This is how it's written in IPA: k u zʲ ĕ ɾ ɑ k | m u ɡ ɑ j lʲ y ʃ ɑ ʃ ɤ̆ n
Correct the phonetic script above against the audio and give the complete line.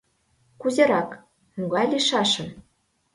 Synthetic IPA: k u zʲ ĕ ɾ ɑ k | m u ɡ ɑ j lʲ i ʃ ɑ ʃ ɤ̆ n